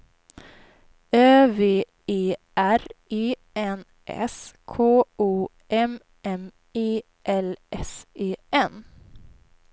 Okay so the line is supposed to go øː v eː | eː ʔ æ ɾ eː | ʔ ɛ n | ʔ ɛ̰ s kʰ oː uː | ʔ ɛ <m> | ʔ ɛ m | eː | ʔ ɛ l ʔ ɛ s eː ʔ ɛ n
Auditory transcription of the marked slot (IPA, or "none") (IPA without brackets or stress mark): m